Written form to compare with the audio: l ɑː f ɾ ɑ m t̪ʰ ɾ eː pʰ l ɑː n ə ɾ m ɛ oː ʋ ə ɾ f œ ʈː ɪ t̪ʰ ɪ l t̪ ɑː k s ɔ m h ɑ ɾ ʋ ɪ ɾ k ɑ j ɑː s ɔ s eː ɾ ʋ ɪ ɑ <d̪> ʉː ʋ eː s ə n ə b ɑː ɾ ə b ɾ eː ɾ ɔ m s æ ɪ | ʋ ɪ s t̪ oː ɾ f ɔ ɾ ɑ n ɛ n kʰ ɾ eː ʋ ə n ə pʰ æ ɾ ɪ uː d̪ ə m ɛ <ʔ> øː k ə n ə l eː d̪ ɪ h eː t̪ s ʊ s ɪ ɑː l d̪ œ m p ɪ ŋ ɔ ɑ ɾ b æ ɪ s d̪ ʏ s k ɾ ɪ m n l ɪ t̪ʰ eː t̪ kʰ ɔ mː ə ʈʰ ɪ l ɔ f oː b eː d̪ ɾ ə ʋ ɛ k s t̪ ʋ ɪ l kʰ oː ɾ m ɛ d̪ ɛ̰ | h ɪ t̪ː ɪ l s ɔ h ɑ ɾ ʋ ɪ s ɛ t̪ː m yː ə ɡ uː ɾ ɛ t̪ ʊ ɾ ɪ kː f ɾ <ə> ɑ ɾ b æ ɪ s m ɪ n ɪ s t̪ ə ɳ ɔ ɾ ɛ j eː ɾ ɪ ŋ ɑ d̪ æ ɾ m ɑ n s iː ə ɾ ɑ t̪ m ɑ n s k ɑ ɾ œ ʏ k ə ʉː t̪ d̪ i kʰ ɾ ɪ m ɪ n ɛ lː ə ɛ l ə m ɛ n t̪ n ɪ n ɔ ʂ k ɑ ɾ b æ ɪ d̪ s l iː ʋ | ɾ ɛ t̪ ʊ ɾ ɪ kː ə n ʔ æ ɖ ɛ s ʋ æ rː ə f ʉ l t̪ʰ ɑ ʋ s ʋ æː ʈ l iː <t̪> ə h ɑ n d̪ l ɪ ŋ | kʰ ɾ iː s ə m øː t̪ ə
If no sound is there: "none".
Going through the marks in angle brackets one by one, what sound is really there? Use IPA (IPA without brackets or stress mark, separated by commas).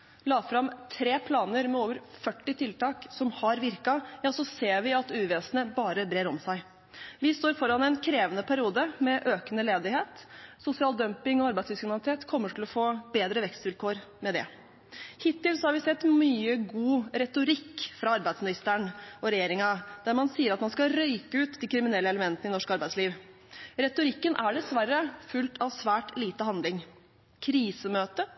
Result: t̪, ʔ, ɑ, t̪